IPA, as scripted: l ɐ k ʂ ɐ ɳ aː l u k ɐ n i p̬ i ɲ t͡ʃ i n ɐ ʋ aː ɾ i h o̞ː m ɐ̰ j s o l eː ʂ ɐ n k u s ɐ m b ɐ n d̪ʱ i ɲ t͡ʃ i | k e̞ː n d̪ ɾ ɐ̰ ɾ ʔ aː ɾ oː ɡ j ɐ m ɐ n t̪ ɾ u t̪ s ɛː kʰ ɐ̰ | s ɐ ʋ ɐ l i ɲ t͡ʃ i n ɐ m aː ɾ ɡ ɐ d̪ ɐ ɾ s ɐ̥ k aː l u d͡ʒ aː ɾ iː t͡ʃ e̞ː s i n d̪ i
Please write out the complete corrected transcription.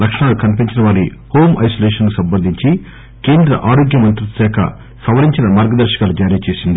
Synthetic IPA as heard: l ɐ k ʂ ɐ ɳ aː l u k ɐ n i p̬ i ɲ t͡ʃ i n ɐ ʋ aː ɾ i h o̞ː m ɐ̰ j s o l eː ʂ ɐ n k u s ɐ m b ɐ n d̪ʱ i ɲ t͡ʃ i | k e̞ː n d̪ ɾ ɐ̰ ʔ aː ɾ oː ɡ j ɐ m ɐ n t̪ ɾ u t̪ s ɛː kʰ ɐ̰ | s ɐ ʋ ɐ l i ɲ t͡ʃ i n ɐ m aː ɾ ɡ ɐ d̪ ɐ ɾ ʃ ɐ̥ k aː l u d͡ʒ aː ɾ iː t͡ʃ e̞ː s i n d̪ i